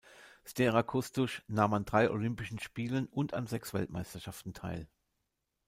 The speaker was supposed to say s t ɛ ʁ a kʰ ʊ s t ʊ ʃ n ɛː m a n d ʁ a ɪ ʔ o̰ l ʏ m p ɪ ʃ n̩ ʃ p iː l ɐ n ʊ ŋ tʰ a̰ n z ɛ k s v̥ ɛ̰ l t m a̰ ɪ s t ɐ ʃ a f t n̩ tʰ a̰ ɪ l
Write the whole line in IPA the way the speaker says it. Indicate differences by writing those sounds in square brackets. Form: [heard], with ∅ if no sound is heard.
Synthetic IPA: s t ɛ ʁ a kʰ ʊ s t ʊ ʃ n [aː] m a n d ʁ a ɪ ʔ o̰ l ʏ m p ɪ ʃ n̩ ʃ p iː l [ə] n ʊ [n] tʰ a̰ n z ɛ k s v̥ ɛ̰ l t m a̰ ɪ s t ɐ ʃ a f t n̩ tʰ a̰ ɪ l